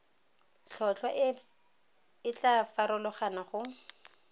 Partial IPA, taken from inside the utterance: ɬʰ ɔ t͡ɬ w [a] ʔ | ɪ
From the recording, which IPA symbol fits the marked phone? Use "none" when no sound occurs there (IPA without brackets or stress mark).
a